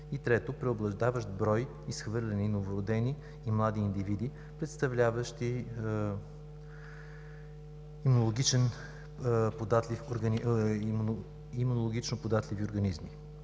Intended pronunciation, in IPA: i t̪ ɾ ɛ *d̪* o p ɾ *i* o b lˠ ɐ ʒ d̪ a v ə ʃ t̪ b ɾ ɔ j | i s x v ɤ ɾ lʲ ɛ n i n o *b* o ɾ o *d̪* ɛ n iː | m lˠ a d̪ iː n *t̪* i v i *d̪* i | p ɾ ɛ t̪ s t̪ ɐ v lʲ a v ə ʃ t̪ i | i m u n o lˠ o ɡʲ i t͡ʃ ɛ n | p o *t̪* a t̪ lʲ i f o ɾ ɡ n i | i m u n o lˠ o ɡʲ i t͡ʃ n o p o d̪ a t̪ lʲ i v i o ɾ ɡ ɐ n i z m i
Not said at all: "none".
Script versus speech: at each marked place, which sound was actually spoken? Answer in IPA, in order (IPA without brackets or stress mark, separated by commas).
t̪, ɛ, v, d̪, d̪, d̪, d̪